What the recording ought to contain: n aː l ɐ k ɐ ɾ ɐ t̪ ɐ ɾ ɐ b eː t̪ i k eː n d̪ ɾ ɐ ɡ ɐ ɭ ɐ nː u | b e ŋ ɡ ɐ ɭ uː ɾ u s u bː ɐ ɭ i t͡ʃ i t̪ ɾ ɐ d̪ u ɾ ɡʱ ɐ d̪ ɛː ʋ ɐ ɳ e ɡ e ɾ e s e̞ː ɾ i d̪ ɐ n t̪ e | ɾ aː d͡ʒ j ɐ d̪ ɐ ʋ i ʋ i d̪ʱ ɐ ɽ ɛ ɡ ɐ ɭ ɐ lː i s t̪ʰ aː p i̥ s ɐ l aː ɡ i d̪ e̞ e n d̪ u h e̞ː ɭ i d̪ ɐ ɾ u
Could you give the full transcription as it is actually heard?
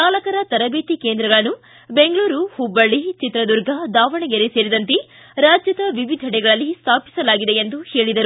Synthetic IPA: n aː l ɐ k ɐ ɾ ɐ t̪ ɐ ɾ ɐ b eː t̪ i k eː n d̪ ɾ ɐ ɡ ɐ ɭ ɐ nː u | b e ŋ ɡ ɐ ɭ uː ɾ u h u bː ɐ ɭ i t͡ʃ i t̪ ɾ ɐ d̪ u ɾ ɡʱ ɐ d̪ aː ʋ ɐ ɳ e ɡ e ɾ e s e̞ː ɾ i d̪ ɐ n t̪ e | ɾ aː d͡ʒ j ɐ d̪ ɐ ʋ i ʋ i d̪ʱ ɐ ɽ ɛ ɡ ɐ ɭ ɐ lː i s t̪ʰ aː p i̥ s ɐ l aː ɡ i d̪ e̞ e n d̪ u h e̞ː ɭ i d̪ ɐ ɾ u